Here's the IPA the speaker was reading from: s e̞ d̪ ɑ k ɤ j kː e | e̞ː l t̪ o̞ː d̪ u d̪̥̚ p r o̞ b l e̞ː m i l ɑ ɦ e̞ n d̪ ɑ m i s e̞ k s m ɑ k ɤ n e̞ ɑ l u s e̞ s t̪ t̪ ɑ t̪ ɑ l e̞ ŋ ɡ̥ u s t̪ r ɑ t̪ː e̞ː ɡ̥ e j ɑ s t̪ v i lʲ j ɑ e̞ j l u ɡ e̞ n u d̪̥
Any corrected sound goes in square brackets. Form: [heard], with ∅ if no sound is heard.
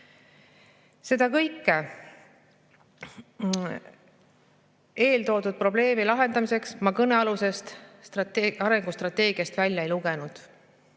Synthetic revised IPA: s e̞ d̪ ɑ k ɤ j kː e | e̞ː l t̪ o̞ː d̪ u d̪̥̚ p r o̞ b l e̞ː m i l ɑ ɦ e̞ n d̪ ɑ m i s e̞ k s m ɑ k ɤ n e̞ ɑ l u s e̞ s t̪ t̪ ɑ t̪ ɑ [ɾ] e̞ ŋ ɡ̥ u s t̪ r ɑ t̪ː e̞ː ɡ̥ [i] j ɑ s t̪ v [æ] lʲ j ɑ e̞ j l u ɡ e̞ n u d̪̥